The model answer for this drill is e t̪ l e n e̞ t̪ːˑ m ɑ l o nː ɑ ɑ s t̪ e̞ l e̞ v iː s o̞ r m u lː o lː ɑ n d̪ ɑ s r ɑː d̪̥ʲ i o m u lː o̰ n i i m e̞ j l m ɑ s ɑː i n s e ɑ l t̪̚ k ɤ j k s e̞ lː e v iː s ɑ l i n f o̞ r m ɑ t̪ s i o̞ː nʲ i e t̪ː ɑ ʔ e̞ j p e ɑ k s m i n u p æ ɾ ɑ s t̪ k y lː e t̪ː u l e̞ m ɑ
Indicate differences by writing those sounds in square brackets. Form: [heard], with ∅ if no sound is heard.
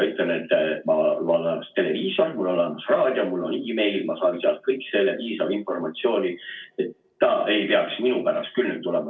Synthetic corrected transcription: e t̪ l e n e̞ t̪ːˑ m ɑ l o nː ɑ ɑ s t̪ e̞ l e̞ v iː s o̞ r m u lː o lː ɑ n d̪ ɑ s r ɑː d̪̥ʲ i o m u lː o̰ n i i m e̞ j l m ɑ s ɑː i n s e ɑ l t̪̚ k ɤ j k s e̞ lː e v iː s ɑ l i n f o̞ r m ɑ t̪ s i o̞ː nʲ i e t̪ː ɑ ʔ e̞ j p e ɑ k s m i n u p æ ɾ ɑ s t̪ k y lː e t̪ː u l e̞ m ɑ

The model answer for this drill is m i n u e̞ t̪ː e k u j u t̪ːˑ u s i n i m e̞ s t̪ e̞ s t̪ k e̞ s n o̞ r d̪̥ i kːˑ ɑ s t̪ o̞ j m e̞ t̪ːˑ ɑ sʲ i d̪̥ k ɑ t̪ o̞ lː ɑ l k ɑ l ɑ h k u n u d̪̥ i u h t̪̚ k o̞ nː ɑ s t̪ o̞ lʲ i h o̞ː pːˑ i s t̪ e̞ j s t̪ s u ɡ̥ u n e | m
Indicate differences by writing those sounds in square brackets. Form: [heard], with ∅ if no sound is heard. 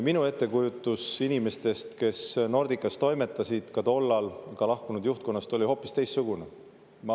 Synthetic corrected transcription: m i n u e̞ t̪ː e k u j u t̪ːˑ u s i n i m e̞ s t̪ e̞ s t̪ k e̞ s n o̞ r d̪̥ i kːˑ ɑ s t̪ o̞ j m e̞ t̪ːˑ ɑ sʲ i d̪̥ k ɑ t̪ o̞ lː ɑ l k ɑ l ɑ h k u n u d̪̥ [j] u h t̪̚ k o̞ nː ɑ s t̪ o̞ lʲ i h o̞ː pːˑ i s t̪ e̞ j s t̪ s u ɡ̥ u n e | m

